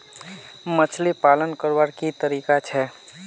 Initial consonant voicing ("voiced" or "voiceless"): voiced